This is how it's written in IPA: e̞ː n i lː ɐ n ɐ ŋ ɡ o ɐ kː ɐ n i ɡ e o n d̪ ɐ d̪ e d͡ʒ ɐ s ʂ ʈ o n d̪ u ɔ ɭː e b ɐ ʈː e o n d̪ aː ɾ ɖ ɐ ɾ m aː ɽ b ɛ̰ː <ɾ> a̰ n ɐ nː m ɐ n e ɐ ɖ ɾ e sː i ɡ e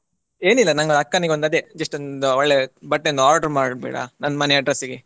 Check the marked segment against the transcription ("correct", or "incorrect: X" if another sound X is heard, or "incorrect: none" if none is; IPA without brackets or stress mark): incorrect: ɽ